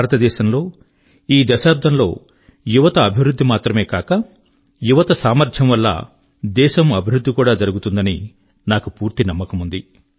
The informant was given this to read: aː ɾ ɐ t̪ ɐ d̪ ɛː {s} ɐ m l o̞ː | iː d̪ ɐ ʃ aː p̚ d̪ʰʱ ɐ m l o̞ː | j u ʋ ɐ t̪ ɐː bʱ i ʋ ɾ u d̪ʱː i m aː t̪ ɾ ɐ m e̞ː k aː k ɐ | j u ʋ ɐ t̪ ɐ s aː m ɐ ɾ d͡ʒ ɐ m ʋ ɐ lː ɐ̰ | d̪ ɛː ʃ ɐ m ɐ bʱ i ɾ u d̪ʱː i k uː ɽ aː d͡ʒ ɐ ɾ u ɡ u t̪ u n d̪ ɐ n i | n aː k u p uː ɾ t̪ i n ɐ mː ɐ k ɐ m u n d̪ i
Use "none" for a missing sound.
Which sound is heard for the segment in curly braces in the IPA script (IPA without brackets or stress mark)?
ʃ